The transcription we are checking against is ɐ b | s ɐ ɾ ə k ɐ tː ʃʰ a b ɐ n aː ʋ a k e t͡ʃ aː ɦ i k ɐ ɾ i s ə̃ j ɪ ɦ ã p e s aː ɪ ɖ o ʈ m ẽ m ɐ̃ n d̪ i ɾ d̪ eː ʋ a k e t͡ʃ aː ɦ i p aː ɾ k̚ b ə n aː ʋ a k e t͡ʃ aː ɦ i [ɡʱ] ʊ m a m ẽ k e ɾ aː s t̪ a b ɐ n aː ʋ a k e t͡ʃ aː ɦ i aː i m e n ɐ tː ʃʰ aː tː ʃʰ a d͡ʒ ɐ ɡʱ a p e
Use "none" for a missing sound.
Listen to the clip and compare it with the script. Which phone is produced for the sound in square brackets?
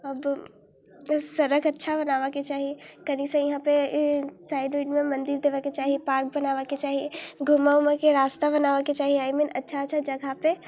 ɡʱ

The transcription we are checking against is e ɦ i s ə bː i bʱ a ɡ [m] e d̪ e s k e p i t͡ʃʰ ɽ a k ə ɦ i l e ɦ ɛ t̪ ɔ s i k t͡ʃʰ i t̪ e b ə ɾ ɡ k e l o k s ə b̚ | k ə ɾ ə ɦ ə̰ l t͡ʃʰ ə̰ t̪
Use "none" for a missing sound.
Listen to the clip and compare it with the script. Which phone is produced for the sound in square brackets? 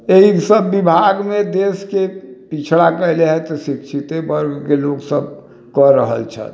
m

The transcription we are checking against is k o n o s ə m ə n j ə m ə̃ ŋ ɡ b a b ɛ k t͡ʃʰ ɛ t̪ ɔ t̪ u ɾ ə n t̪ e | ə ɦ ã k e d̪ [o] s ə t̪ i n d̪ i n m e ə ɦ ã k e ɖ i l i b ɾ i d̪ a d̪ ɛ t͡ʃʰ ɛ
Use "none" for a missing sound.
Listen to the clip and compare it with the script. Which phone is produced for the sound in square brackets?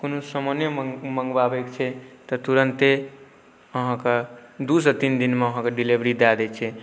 u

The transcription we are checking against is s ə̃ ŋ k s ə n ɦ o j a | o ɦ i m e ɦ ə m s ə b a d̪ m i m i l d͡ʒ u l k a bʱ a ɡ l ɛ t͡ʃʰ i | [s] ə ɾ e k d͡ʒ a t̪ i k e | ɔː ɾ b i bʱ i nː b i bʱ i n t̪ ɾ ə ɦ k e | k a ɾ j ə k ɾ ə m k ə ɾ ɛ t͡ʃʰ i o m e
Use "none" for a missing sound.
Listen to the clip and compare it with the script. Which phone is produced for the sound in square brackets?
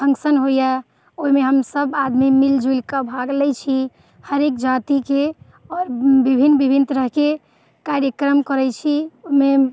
h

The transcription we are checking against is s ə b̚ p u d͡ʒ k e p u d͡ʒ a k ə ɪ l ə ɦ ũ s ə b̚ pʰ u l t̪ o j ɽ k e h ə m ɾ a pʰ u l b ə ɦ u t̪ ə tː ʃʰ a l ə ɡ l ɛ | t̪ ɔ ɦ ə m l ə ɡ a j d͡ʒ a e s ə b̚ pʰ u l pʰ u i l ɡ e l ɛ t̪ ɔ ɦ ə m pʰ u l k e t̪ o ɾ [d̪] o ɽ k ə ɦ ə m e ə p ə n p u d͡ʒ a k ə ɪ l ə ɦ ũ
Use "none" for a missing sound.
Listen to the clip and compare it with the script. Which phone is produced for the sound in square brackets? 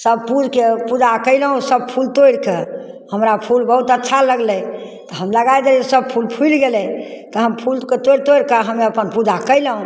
t̪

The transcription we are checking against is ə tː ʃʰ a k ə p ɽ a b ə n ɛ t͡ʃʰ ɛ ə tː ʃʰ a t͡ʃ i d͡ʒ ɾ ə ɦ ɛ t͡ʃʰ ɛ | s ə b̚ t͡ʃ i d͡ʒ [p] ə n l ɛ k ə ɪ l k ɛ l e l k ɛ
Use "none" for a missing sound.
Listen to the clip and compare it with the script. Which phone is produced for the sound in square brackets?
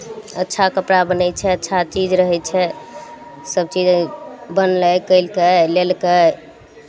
b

